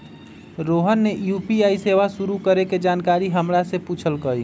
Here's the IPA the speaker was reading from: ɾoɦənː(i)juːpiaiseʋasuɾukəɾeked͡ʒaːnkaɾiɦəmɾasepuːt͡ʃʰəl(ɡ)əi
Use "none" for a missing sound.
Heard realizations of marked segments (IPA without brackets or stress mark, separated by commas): e, k